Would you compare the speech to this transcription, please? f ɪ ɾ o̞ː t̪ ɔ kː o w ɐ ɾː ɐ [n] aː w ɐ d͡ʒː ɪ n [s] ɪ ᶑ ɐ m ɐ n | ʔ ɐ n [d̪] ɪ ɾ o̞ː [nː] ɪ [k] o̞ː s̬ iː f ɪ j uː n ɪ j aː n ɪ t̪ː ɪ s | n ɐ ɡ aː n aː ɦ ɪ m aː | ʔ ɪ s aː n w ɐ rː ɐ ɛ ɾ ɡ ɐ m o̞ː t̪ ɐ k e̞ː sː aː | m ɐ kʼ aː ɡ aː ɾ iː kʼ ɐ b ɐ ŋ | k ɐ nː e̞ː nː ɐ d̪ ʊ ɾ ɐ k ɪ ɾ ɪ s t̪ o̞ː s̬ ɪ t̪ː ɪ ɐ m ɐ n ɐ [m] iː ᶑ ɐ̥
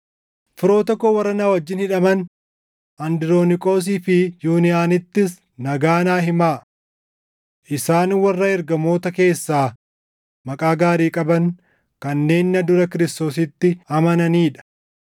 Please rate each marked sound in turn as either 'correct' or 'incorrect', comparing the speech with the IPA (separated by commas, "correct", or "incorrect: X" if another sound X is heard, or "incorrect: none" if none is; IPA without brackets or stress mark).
correct, incorrect: h, correct, incorrect: n, incorrect: kʼ, incorrect: n